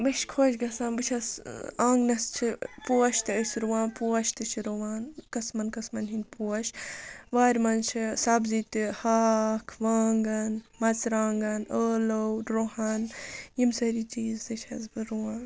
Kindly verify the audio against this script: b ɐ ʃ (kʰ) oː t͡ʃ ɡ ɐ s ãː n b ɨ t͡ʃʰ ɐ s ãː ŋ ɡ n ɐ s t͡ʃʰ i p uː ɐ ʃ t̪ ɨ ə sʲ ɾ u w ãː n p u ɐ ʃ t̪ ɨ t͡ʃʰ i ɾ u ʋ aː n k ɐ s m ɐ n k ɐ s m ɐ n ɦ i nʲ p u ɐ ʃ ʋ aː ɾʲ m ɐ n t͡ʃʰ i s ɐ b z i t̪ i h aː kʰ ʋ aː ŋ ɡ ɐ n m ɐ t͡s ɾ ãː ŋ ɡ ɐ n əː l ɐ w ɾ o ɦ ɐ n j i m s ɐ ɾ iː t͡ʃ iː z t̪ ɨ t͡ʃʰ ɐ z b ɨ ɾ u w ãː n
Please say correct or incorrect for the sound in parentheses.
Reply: correct